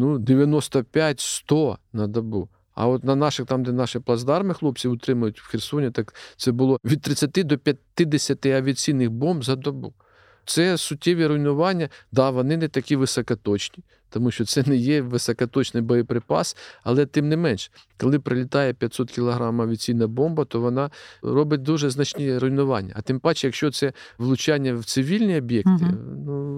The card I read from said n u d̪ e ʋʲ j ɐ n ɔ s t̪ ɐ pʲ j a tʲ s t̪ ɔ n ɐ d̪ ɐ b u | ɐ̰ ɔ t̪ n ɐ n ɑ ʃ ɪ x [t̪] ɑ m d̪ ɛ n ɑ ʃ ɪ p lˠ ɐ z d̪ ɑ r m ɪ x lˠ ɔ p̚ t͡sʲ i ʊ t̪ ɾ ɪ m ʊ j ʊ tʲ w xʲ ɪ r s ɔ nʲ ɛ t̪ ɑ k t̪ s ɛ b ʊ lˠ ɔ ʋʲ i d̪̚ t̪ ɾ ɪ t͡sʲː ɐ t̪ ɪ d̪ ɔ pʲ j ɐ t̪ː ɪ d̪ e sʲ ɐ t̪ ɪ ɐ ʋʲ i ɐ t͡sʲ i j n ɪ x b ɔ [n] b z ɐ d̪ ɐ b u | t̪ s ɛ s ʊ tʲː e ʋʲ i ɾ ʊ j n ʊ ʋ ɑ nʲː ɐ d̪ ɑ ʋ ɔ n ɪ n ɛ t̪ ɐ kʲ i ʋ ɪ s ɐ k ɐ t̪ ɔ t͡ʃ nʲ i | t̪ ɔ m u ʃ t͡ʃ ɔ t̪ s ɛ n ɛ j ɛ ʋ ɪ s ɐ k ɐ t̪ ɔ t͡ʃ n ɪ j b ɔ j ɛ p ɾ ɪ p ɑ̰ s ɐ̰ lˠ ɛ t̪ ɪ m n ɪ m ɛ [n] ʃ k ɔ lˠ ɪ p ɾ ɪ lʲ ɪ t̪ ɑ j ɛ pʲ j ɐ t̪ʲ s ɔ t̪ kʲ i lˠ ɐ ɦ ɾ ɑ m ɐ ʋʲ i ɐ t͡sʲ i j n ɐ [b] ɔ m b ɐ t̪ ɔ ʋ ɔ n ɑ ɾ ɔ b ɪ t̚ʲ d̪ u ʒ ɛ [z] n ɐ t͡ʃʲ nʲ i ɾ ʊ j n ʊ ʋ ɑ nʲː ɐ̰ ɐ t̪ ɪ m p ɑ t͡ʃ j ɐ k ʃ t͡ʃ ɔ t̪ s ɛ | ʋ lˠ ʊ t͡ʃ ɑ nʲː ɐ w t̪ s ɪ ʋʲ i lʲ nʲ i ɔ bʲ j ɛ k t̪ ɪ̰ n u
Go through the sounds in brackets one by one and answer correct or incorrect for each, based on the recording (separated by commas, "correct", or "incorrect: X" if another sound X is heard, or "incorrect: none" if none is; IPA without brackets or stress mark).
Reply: correct, incorrect: m, correct, correct, correct